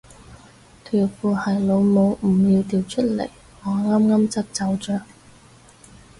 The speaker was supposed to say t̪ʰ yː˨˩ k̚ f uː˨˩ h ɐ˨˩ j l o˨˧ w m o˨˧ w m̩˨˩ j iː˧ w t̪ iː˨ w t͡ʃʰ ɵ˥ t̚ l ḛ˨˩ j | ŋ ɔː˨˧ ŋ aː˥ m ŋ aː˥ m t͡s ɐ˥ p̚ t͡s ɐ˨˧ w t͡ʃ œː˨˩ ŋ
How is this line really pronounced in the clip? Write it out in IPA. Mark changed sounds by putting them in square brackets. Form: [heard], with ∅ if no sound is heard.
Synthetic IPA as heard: t̪ʰ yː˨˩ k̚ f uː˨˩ h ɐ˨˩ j l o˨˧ w m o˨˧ w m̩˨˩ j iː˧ w t̪ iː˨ w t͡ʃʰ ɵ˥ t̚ l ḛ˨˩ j | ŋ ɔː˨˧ ŋ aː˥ m ŋ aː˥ m t͡s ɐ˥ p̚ t͡s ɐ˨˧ w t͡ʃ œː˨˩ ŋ

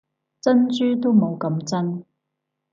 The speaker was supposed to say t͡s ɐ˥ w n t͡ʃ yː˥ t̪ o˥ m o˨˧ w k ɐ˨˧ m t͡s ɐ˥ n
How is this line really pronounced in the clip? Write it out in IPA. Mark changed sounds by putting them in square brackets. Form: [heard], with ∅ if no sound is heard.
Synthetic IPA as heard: t͡s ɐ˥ [∅] n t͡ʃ yː˥ t̪ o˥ m o˨˧ w k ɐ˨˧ m t͡s ɐ˥ n

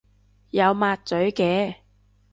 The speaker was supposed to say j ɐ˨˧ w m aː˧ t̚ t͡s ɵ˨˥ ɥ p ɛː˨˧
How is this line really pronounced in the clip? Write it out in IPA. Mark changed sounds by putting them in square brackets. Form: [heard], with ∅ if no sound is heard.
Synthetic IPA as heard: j ɐ˨˧ w m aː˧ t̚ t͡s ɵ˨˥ ɥ [k] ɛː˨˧

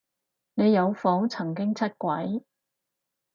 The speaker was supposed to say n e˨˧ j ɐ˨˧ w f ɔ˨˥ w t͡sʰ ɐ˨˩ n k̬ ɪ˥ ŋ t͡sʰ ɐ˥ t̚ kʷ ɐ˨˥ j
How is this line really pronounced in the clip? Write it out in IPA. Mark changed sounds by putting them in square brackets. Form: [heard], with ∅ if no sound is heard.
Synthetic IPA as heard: n e˨˧ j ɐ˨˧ w f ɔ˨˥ w t͡sʰ ɐ˨˩ [ŋ] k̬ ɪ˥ ŋ t͡sʰ ɐ˥ t̚ kʷ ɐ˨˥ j

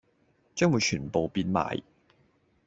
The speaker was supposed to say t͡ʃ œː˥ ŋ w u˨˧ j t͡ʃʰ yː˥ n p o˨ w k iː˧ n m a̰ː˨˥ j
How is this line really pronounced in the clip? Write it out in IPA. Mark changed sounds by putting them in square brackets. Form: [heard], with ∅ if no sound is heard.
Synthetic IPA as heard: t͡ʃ œː˥ ŋ w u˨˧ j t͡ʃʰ [yː˨˩] n p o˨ w [p] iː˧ n m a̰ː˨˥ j

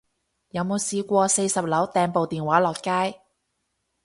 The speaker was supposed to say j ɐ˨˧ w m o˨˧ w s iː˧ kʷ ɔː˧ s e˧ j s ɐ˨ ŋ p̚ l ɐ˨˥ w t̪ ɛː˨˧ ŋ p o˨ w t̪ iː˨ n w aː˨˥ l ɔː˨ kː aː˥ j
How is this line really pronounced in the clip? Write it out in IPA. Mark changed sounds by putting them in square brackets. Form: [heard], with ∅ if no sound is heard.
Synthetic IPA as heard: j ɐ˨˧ w m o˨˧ w s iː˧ kʷ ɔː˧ s e˧ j s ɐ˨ [∅] p̚ l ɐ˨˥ w t̪ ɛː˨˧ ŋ p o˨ w t̪ iː˨ n w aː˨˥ l ɔː˨ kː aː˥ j

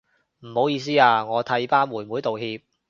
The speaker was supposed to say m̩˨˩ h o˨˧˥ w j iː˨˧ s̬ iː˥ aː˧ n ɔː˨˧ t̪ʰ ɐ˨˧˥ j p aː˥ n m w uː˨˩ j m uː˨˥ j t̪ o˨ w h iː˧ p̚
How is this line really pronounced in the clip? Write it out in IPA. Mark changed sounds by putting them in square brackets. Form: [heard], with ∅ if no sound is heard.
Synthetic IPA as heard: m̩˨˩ h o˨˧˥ w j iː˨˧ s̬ iː˥ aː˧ [ŋ] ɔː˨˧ t̪ʰ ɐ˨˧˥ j p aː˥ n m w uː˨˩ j m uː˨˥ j t̪ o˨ w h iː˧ p̚

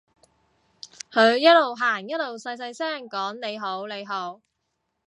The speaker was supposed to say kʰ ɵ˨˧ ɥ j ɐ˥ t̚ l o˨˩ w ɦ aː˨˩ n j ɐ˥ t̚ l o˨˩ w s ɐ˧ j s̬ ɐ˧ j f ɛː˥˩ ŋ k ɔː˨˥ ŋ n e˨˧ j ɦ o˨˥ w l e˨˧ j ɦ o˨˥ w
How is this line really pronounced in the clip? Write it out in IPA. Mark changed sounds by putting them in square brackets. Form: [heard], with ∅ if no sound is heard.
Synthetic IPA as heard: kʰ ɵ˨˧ ɥ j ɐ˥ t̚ l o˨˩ w ɦ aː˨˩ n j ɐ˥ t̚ l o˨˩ w s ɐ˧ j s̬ ɐ˧ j [s] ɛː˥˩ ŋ k ɔː˨˥ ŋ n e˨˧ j ɦ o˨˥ w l e˨˧ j ɦ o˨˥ w

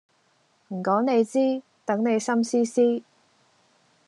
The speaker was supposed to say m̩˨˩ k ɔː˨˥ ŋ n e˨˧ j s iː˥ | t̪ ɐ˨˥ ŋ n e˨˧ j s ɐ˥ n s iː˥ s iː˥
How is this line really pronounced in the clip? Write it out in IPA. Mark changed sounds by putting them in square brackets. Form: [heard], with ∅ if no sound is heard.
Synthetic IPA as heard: m̩˨˩ k ɔː˨˥ ŋ n e˨˧ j [t͡s] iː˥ | t̪ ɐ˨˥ ŋ n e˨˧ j s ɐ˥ [m] s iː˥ s iː˥

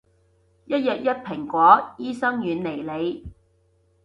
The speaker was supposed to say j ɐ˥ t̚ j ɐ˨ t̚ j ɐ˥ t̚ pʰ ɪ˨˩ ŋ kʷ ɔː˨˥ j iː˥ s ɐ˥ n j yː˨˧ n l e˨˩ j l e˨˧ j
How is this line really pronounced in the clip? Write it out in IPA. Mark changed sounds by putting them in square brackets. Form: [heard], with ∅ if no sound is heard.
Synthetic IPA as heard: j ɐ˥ t̚ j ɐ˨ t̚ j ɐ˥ t̚ pʰ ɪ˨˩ ŋ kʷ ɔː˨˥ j iː˥ s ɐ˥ [ŋ] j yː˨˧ n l e˨˩ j l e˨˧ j

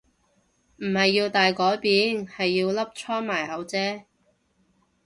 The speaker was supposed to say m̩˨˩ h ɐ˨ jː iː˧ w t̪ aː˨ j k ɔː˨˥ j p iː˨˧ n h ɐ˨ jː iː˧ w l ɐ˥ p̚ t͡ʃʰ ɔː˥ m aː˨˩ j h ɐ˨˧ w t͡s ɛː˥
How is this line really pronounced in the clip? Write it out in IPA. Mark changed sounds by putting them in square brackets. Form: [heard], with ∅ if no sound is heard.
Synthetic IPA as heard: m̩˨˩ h ɐ˨ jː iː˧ w t̪ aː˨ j k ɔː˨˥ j p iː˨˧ n h ɐ˨ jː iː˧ w l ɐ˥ p̚ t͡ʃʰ ɔː˥ m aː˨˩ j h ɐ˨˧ w t͡s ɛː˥

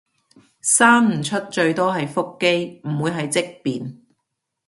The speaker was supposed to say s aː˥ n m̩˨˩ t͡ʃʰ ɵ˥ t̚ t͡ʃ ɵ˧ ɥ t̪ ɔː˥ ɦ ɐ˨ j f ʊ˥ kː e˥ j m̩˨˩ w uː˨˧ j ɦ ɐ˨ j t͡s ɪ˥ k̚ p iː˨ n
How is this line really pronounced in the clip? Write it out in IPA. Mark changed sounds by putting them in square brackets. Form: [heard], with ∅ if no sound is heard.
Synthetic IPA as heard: s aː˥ n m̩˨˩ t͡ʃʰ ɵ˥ t̚ t͡ʃ ɵ˧ ɥ t̪ ɔː˥ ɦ ɐ˨ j f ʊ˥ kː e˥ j m̩˨˩ w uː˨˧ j ɦ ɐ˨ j t͡s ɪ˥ k̚ p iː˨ n

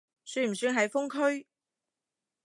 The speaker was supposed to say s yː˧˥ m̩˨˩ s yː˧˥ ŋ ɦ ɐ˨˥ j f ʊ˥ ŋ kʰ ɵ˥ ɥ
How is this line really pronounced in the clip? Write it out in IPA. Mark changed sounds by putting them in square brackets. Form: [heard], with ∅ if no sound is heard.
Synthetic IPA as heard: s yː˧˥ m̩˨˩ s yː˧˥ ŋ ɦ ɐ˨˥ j f ʊ˥ ŋ kʰ ɵ˥ ɥ

